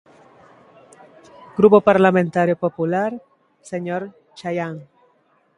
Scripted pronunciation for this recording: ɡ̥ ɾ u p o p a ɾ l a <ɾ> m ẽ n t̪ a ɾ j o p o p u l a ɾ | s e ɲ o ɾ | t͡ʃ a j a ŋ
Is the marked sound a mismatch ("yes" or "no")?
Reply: yes